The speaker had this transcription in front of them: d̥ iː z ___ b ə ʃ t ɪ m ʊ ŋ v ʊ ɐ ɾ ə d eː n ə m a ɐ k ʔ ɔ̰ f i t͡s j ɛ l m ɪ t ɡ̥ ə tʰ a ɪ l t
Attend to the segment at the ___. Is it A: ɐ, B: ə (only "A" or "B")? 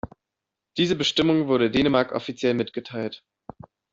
B